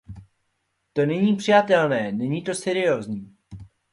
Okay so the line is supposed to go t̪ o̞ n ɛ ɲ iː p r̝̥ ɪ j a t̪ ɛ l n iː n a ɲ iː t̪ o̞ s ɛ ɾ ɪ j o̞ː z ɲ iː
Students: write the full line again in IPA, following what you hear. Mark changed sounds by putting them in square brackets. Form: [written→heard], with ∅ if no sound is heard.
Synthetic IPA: t̪ o̞ n ɛ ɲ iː p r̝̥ ɪ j a t̪ ɛ l n [iː→ɛː] n [a→ɛ] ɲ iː t̪ o̞ s ɛ ɾ ɪ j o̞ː z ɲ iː